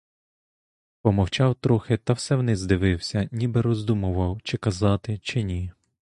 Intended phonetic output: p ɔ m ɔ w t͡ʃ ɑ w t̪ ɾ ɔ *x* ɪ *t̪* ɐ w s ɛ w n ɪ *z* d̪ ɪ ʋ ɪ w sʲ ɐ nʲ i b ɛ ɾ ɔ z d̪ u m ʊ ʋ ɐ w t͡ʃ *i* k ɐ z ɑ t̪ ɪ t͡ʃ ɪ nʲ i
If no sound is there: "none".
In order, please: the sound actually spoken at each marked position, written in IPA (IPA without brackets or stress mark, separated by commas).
x, t̪, z, ɪ